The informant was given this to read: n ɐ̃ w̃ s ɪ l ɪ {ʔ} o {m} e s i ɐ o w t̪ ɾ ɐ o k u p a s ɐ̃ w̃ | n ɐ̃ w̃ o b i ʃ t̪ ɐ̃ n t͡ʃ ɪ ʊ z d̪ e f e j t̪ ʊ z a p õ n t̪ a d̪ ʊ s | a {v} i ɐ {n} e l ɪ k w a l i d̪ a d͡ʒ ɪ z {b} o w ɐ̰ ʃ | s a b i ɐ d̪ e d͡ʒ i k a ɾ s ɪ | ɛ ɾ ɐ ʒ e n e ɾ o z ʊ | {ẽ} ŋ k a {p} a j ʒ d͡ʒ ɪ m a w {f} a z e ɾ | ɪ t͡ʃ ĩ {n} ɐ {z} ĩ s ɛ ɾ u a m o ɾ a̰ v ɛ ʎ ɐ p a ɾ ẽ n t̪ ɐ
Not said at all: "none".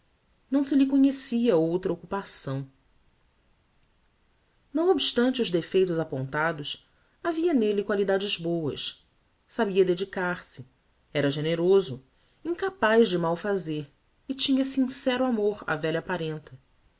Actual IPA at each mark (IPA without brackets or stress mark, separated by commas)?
k, ɲ, v, n, b, ĩ, p, f, ɲ, s